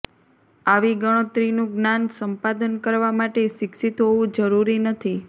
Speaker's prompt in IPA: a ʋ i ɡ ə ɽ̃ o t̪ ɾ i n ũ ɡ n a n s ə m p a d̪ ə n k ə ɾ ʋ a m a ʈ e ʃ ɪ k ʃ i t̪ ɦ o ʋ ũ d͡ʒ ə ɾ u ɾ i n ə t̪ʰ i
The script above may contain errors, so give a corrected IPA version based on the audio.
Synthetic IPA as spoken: a ʋ i ɡ ə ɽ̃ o t̪ ɾ i n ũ ɡ n a n s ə m p a d̪ ə n k ə ɾ ʋ a m a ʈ e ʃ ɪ k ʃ i t̪ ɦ o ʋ ũ d͡ʒ ə ɾ u ɾ i n ə t̪ʰ i